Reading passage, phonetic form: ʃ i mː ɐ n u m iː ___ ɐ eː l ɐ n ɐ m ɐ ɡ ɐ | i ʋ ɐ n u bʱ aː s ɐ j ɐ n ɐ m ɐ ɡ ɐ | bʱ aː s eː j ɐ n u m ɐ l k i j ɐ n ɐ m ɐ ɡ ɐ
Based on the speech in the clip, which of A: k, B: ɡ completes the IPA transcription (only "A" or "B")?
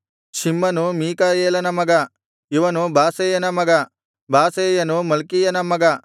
A